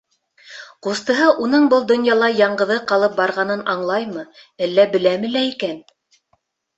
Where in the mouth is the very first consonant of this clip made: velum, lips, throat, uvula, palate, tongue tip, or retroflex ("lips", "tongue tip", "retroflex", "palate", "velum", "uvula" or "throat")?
uvula